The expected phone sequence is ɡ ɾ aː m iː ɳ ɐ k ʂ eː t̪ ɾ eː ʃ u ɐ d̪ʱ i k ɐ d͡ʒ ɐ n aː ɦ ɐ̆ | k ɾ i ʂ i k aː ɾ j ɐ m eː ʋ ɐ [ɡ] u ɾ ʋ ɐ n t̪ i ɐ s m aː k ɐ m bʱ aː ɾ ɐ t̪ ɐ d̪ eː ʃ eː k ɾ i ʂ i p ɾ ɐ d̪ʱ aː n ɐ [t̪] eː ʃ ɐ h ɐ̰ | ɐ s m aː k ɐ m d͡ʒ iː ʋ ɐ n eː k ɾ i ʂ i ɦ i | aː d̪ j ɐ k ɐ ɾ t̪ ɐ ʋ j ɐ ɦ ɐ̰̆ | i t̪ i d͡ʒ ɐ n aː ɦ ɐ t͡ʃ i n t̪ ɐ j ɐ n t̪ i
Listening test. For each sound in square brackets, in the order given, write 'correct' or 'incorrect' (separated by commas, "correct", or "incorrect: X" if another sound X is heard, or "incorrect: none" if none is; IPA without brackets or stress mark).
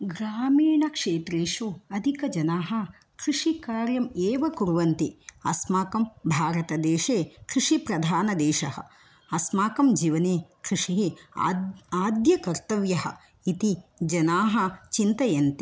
incorrect: k, incorrect: d̪